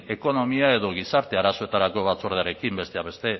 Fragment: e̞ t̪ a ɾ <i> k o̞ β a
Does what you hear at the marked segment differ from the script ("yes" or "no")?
yes